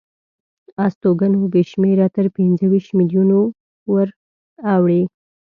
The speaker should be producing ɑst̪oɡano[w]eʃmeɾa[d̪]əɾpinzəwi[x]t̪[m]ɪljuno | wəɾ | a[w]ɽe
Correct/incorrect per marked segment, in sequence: incorrect: b, incorrect: t̪, incorrect: ʃ, correct, correct

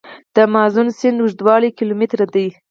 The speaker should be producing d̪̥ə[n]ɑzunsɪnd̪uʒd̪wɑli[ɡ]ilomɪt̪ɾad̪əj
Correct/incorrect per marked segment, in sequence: incorrect: m, incorrect: k

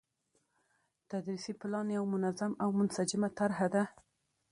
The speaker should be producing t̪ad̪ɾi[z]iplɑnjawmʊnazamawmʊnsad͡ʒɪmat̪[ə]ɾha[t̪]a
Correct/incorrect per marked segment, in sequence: incorrect: s, incorrect: a, incorrect: d̪

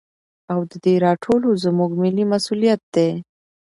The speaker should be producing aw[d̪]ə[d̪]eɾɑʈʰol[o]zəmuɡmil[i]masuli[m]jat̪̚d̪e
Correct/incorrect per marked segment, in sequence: correct, correct, correct, correct, incorrect: none

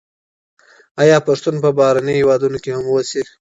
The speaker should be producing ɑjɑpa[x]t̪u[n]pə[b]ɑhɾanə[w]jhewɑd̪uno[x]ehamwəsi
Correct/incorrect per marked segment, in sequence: incorrect: ʂ, correct, correct, incorrect: none, incorrect: k

